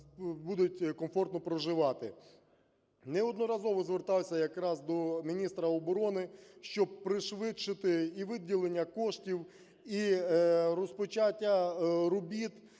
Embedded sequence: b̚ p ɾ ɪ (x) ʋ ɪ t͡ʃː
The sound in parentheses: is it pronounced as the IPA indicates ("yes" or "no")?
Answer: no